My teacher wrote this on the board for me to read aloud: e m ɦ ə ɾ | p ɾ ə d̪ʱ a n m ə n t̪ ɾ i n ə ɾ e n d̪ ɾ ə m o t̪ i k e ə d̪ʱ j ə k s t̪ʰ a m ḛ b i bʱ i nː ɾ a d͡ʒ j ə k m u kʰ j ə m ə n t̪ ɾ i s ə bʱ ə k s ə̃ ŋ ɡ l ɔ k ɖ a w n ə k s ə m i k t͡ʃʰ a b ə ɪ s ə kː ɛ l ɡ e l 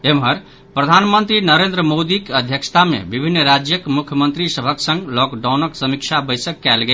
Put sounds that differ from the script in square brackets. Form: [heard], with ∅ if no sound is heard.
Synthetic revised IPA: e m ɦ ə ɾ | p ɾ ə d̪ʱ a n m ə n t̪ ɾ i n ə ɾ e n d̪ ɾ ə m o [d̪] i k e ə d̪ʱ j ə k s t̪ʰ a m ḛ b i bʱ i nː ɾ a d͡ʒ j ə k m u kʰ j ə m ə n t̪ ɾ i s ə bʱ ə k s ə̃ ŋ ɡ l ɔ k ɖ a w n ə k s ə m i k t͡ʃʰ a b ə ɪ s ə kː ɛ l ɡ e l